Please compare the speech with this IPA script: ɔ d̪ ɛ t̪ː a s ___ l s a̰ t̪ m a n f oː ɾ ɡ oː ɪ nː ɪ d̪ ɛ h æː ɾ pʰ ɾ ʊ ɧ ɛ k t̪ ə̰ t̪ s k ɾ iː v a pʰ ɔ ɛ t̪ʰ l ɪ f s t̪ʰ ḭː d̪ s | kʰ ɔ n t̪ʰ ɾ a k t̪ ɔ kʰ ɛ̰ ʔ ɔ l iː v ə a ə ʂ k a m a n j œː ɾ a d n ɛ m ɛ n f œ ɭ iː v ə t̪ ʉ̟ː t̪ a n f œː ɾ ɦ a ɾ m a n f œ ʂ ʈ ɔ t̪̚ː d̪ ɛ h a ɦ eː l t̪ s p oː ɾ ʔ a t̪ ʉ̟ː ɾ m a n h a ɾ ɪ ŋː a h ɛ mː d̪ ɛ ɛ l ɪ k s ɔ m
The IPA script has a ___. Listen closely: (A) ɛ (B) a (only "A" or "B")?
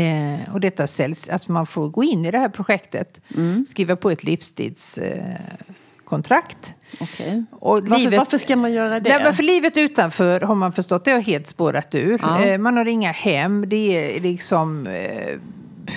A